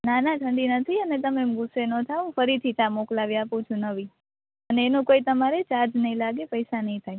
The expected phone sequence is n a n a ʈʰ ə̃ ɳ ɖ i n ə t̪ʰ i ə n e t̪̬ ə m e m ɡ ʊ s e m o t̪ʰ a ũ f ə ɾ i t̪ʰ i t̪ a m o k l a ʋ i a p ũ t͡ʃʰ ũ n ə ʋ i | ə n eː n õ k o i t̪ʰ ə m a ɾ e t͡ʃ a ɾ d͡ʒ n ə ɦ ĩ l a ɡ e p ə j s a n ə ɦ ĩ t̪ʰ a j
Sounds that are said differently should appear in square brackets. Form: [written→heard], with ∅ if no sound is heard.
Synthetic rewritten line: n a n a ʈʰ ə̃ ɳ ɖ i n ə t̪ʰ i ə n e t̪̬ ə m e m ɡ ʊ s e [m→n] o t̪ʰ a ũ f ə ɾ i t̪ʰ i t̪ a m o k l a ʋ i a p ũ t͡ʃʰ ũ n ə ʋ i | ə n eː n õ k o i [t̪ʰ→t̪] ə m a ɾ e t͡ʃ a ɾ d͡ʒ n ə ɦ ĩ l a ɡ e p ə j s a n ə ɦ ĩ t̪ʰ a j